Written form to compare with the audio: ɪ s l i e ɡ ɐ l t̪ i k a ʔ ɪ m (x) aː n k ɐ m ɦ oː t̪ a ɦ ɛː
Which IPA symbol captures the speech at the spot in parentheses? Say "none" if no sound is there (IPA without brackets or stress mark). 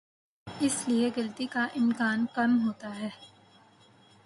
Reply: k